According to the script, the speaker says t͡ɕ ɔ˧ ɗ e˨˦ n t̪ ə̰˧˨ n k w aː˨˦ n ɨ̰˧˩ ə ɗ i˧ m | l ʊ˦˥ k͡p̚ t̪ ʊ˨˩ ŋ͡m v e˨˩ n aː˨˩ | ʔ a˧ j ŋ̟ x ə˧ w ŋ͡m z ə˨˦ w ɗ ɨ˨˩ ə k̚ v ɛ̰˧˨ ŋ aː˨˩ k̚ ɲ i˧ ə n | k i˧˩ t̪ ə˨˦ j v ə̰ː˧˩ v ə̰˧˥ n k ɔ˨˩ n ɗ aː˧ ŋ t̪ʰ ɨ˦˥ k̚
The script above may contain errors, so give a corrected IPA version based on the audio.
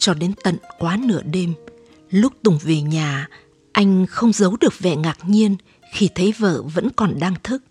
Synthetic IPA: t͡ɕ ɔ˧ ɗ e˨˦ n t̪ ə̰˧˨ n k w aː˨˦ n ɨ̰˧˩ ə ɗ e˧ m | l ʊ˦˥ k͡p̚ t̪ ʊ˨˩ ŋ͡m v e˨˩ ɲ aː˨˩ | ʔ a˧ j ŋ̟ x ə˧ w ŋ͡m z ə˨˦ w ɗ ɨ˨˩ ə k̚ v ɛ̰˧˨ ŋ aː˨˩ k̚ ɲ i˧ ə n | x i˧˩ t̪ʰ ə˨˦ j v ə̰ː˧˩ v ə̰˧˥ n k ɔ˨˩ n ɗ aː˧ ŋ t̪ʰ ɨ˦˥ k̚